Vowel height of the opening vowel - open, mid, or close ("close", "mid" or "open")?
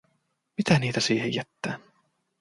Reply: close